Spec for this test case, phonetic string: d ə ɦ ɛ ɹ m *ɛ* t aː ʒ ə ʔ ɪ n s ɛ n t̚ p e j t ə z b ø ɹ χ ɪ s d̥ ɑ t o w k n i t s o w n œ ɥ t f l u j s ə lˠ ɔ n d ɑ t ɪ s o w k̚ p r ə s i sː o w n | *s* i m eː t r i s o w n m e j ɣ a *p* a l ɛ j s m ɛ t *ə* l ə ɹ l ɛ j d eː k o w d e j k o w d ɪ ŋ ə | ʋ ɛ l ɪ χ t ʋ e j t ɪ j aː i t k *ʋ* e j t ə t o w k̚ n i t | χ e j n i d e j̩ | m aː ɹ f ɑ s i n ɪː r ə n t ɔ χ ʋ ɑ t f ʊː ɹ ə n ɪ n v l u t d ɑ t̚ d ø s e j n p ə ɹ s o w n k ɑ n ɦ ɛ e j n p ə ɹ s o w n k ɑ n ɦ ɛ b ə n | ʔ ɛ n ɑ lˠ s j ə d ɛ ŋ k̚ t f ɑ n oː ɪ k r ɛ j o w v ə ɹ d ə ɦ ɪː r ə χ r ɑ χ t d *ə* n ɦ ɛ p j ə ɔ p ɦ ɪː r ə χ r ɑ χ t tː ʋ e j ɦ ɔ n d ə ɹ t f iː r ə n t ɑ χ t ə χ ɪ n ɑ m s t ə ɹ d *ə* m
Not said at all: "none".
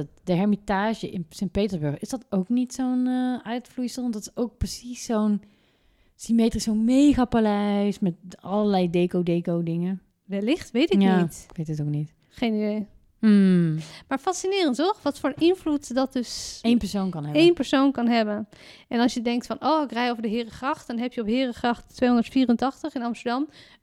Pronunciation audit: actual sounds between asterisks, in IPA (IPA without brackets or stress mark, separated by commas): i, s, p, ɑ, ʋ, ɑ, ɑ